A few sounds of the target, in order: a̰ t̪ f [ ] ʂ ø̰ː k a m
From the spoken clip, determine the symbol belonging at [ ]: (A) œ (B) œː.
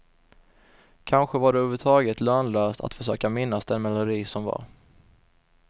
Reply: A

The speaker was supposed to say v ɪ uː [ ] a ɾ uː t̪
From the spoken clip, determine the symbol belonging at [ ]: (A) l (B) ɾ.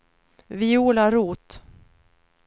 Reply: A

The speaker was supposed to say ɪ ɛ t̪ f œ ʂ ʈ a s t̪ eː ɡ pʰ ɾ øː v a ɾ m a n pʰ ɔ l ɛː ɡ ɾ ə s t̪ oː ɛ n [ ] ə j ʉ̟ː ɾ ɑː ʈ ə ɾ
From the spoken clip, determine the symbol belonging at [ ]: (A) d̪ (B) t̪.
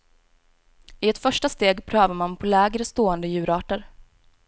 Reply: A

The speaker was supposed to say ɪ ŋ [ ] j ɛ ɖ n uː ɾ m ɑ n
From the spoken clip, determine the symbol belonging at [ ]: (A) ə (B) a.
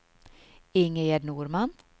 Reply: A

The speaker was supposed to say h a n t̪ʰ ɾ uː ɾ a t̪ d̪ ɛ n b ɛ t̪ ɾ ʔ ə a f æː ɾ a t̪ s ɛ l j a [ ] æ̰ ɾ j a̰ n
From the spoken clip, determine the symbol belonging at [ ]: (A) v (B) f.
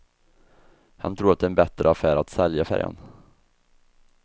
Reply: B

